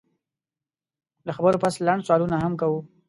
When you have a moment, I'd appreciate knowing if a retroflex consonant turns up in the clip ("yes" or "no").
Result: yes